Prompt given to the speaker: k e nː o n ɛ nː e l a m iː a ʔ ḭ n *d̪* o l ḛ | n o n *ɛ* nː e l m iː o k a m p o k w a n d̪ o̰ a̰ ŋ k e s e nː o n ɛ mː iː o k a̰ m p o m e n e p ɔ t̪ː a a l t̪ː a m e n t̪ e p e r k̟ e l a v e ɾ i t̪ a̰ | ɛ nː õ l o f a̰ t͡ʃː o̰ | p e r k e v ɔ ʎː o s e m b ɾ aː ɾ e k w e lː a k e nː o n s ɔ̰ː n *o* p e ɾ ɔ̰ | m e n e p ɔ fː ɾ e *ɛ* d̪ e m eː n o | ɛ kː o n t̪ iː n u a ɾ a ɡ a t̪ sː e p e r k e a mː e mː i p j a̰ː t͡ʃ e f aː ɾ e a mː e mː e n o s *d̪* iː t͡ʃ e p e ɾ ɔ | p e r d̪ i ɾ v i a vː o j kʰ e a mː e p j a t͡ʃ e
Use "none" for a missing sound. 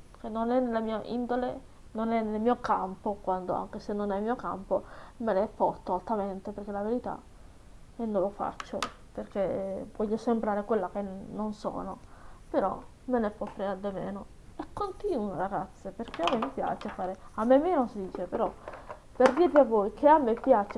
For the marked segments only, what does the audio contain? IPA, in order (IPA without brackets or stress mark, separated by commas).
d̪, ɛ, o, a, d̪